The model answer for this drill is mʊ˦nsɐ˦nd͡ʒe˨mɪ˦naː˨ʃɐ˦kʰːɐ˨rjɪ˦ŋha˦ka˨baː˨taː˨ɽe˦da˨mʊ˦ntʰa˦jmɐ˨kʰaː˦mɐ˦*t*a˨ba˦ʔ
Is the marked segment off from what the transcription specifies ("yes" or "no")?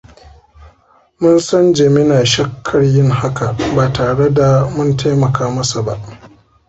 yes